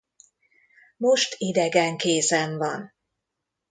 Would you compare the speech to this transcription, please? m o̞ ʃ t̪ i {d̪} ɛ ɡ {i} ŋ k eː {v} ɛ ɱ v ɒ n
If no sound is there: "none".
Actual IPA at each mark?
d̪, ɛ, z

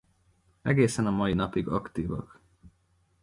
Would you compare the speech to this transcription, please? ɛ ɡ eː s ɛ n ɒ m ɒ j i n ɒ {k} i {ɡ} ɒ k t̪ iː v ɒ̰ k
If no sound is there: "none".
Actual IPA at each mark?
p, ɡ

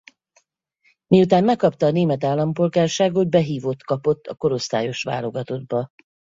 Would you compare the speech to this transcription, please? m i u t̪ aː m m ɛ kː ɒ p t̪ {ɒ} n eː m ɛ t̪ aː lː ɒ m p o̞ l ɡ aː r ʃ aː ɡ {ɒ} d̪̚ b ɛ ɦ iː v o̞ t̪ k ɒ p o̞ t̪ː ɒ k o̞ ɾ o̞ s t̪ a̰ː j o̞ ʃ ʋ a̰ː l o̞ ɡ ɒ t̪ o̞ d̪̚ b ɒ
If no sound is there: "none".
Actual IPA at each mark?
ɒː, o

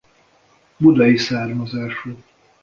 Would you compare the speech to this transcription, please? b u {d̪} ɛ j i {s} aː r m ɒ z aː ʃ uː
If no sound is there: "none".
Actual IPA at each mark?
d̪, s

